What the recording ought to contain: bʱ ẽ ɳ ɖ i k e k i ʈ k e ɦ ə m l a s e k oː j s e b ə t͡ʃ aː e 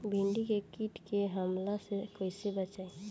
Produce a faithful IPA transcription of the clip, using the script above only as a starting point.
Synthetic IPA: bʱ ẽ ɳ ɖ i k e k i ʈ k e ɦ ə m l a s e k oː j s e b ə t͡ʃ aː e